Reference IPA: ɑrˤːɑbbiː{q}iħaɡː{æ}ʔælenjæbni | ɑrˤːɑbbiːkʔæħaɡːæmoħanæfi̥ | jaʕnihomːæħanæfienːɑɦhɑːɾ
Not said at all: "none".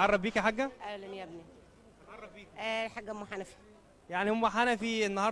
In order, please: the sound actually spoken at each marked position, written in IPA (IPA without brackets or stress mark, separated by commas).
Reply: k, æ